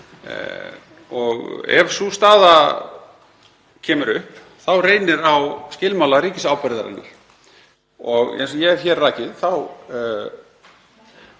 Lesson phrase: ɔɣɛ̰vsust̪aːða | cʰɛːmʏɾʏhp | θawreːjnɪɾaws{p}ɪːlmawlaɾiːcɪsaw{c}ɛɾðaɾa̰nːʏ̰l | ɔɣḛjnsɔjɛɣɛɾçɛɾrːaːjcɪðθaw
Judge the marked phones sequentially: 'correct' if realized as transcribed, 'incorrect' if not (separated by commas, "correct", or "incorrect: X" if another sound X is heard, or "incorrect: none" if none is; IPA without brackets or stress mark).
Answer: incorrect: c, incorrect: p